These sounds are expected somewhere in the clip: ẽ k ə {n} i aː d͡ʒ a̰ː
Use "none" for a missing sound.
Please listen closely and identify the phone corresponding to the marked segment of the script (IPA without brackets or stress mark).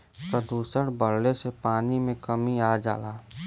m